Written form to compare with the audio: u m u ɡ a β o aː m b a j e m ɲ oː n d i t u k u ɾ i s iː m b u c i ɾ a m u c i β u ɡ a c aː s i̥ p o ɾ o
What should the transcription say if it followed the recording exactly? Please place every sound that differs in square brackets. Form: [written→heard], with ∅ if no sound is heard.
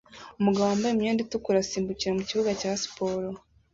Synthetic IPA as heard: u m u ɡ a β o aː m b a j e m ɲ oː n d i t u k u ɾ [i→a] s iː m b u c i ɾ a m u c i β u ɡ a c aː s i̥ p o ɾ o